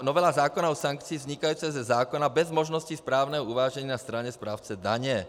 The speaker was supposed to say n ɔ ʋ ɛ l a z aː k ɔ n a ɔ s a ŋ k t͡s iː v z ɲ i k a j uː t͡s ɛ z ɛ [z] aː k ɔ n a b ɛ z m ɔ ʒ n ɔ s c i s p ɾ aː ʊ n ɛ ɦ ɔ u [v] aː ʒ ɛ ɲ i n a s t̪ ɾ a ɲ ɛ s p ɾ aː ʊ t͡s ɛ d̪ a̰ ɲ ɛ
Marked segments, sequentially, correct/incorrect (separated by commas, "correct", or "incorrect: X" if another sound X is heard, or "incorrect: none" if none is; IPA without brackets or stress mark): correct, incorrect: ʋ